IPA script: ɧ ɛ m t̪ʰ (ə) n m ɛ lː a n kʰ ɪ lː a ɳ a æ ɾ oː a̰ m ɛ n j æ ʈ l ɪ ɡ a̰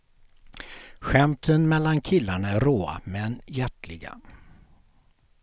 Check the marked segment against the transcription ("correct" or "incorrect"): correct